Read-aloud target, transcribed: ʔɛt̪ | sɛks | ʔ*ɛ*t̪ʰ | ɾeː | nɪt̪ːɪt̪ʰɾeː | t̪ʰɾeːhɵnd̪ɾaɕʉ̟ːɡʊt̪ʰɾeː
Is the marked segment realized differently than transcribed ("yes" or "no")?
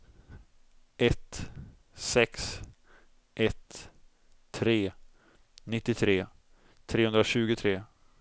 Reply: no